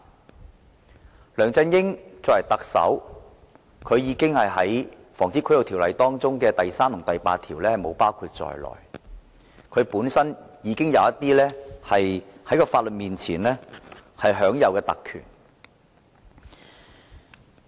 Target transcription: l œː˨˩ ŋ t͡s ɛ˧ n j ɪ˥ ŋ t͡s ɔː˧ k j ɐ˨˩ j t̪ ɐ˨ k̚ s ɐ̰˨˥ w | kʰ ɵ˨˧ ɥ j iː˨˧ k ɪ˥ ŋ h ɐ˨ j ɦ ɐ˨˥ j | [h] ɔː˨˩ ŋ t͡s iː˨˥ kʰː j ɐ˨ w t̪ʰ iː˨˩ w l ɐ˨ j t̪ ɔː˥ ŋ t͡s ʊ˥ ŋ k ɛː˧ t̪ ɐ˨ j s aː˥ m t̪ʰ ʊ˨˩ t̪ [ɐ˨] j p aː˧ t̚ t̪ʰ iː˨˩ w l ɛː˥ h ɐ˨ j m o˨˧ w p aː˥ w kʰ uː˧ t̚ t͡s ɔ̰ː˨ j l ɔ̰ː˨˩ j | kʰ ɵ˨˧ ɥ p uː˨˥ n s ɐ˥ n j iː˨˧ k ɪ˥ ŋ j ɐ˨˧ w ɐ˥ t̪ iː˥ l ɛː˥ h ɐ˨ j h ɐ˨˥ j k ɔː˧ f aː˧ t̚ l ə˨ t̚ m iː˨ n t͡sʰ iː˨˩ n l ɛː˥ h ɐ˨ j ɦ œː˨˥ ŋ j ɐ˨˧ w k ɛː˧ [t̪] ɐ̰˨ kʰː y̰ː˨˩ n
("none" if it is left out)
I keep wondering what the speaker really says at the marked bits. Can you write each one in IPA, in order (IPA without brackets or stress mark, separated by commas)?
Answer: f, ɐ˨, t̪